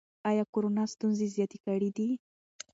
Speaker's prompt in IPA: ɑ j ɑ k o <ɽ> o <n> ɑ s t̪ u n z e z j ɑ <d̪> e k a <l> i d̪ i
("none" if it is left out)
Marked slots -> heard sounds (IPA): ɾ, n, t̪, ɽ

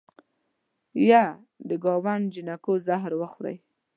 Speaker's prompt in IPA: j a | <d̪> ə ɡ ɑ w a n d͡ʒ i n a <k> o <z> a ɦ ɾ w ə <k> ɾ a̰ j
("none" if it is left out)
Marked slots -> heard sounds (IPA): d̪, k, z, x

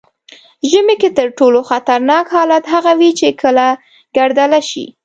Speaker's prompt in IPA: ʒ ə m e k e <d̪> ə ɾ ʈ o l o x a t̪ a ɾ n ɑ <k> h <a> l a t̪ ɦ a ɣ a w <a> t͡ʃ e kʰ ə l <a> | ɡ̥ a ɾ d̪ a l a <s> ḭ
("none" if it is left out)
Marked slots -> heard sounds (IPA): t̪, k, ɑ, i, a, ʃ

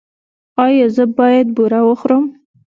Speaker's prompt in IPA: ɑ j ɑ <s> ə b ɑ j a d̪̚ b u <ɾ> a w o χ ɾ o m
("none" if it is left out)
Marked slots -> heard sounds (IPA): z, ɾ

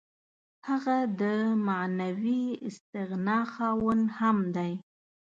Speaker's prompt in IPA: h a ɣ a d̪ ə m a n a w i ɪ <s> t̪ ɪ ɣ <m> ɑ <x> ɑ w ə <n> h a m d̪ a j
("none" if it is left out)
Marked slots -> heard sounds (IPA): s, n, x, n

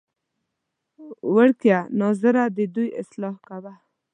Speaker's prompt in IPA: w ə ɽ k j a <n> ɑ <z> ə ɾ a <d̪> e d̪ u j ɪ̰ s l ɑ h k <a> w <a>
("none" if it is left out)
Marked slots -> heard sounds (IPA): n, z, d̪, a, a

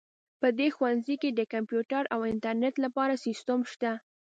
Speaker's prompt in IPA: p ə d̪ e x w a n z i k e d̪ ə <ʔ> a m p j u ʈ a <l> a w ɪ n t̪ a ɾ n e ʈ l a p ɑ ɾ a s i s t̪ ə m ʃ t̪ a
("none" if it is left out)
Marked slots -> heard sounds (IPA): k, ɾ

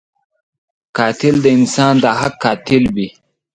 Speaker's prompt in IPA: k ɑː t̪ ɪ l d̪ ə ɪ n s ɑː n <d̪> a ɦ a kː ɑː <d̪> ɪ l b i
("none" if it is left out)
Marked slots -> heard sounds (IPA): d̪, t̪

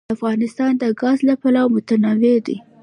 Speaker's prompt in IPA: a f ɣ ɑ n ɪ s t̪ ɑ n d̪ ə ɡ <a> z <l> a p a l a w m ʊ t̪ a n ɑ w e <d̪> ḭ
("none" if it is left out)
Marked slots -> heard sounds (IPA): ɑ, l, d̪

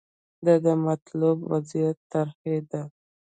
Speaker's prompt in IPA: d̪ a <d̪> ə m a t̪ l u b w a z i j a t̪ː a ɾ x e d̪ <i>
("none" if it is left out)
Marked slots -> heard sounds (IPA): d̪, a

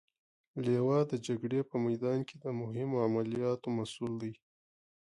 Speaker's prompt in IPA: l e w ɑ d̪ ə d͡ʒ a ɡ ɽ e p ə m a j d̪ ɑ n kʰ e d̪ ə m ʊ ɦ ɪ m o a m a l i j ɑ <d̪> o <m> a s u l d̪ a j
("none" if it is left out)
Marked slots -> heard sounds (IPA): t̪, m

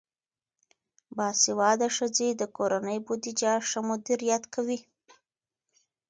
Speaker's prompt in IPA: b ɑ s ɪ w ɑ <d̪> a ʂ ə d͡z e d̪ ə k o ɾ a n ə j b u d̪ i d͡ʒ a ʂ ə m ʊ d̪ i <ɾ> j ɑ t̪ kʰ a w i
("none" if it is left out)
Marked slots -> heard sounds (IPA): d̪, ɾ

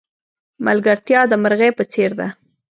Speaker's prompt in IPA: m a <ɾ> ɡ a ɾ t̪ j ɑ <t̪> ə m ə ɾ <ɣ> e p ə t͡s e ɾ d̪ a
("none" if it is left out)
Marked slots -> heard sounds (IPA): l, d̪, ɣ

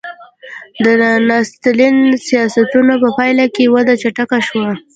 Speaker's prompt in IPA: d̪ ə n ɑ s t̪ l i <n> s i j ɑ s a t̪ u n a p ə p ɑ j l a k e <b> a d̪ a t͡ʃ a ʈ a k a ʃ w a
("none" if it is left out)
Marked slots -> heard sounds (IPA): n, w

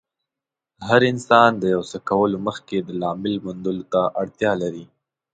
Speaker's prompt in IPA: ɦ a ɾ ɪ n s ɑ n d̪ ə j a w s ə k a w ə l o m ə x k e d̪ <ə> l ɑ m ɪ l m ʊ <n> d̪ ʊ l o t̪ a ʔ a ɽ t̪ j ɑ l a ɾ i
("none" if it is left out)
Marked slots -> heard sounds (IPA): ə, n

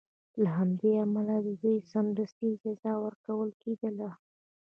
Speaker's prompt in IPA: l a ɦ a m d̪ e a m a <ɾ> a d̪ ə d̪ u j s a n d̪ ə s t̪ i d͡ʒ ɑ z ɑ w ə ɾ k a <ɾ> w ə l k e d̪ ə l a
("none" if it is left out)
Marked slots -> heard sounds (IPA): l, none

